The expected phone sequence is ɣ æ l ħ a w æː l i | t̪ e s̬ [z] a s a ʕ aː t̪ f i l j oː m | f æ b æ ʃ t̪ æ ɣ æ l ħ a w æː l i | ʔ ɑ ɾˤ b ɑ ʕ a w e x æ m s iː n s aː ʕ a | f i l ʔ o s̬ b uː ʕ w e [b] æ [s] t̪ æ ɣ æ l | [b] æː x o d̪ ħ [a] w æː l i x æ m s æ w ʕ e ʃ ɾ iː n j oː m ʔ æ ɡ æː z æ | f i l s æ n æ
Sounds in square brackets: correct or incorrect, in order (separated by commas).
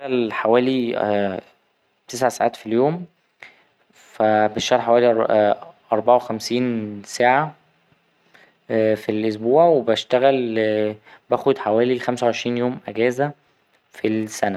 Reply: incorrect, correct, incorrect, correct, correct